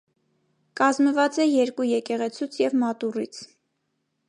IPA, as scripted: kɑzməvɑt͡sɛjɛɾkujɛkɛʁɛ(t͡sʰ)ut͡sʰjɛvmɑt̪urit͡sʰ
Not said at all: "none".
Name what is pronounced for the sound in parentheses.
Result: t͡sʰ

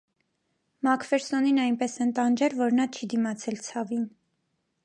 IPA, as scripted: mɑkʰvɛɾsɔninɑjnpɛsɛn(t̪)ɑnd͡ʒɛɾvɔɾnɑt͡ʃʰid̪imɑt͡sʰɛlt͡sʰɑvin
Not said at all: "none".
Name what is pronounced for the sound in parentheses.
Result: t̪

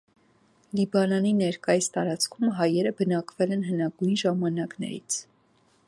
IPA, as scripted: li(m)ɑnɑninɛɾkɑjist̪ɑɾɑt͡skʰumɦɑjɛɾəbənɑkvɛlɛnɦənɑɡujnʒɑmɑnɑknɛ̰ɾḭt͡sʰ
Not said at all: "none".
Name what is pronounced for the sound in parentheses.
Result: b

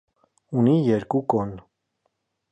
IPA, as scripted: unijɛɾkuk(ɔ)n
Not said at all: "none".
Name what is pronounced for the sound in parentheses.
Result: ɔ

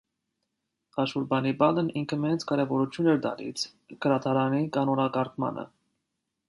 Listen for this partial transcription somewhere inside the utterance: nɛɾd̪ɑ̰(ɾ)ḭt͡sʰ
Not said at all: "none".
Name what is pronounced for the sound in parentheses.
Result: l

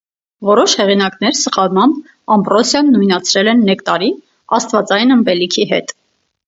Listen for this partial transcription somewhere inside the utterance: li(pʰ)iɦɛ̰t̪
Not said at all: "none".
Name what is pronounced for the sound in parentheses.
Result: kʰ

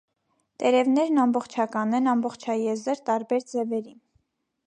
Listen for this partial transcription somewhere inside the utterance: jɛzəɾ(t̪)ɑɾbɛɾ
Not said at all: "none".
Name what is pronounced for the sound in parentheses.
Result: t̪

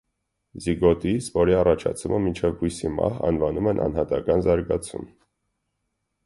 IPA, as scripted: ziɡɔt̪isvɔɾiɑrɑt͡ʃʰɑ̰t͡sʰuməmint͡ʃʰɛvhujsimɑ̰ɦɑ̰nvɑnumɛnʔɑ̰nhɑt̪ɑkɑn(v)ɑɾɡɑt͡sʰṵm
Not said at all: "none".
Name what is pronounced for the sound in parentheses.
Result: z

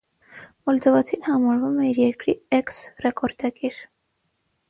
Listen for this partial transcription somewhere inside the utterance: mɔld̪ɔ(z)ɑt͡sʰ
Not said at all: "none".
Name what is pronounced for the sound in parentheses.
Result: v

